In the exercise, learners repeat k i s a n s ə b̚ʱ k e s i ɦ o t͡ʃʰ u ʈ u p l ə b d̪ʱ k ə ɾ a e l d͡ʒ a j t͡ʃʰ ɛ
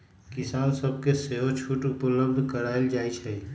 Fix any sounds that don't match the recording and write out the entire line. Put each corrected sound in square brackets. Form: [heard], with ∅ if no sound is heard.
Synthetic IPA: k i s a n s ə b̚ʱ k e s [e] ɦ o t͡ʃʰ u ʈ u p l ə b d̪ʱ k ə ɾ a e l d͡ʒ a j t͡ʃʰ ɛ